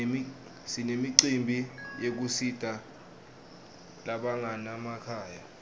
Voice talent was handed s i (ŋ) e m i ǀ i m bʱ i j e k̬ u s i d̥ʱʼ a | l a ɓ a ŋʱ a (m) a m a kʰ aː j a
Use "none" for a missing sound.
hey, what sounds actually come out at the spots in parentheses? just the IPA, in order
n, n

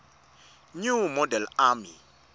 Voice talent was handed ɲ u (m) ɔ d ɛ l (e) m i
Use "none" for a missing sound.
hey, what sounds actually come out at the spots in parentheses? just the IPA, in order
m, a

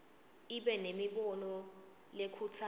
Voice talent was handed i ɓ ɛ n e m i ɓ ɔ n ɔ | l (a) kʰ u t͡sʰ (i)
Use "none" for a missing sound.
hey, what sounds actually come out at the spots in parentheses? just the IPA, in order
e, a

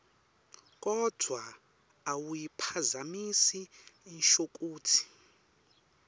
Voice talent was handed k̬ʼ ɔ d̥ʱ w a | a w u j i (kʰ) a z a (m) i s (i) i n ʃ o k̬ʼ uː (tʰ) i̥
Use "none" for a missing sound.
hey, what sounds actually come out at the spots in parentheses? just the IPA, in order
pʰ, m, i, tʰ

